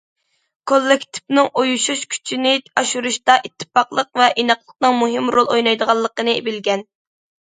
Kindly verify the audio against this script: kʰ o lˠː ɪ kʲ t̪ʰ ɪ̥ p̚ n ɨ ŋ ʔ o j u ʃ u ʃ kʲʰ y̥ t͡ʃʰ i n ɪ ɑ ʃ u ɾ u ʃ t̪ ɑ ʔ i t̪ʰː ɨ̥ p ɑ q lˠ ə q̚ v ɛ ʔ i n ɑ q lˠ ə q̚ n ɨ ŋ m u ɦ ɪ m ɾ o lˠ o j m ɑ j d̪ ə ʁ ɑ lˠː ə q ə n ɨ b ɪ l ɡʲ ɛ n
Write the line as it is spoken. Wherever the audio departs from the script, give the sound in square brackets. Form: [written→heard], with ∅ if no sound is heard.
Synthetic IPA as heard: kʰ o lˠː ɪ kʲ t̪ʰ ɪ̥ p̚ n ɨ ŋ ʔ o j u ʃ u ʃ kʲʰ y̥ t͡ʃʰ i n ɪ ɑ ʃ u ɾ u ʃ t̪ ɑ ʔ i t̪ʰː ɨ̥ p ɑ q lˠ ə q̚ v ɛ ʔ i n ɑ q lˠ ə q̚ n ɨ ŋ m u ɦ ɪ m ɾ o lˠ o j [m→n] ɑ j d̪ ə ʁ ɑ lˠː ə q ə n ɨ b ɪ l ɡʲ ɛ n